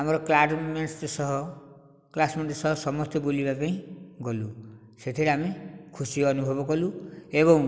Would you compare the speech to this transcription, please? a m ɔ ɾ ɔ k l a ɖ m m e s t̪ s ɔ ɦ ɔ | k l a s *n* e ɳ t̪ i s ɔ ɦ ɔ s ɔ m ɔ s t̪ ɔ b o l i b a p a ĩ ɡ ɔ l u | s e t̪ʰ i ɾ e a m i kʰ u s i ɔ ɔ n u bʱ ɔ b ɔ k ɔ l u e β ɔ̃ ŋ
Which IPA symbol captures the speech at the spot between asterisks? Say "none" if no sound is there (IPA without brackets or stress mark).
m